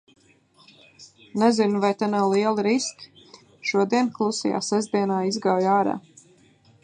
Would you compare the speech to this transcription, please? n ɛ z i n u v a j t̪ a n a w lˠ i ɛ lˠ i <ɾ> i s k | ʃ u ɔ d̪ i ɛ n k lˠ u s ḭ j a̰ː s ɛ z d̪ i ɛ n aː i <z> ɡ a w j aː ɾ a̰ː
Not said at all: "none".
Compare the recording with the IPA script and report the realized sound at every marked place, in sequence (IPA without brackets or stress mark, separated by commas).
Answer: ɾ, z